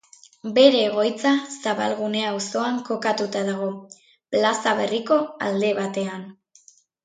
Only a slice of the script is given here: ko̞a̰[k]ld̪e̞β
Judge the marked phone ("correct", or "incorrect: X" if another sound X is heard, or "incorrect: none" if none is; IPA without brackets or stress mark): incorrect: none